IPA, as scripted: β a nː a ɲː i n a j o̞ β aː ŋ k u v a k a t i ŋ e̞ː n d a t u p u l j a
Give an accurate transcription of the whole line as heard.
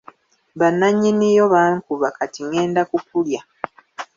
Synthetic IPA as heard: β a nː a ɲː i n i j o̞ β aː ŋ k u β a k a t i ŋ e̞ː n d a k u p u l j a